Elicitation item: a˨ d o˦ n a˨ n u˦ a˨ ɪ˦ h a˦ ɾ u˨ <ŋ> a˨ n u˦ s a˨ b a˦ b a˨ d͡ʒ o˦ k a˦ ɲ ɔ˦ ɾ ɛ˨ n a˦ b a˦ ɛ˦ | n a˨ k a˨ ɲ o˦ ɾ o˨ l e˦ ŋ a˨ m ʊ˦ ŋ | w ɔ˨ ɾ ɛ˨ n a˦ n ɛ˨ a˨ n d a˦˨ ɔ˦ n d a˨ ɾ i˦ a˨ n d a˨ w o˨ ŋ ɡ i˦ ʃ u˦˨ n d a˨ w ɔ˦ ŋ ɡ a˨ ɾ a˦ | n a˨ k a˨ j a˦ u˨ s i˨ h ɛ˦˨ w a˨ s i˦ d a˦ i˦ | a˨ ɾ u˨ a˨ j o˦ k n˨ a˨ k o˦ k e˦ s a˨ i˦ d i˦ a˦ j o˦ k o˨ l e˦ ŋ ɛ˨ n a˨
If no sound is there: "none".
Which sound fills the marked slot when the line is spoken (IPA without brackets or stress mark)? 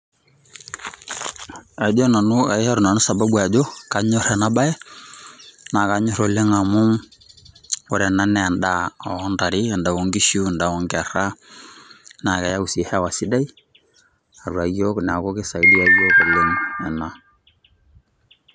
n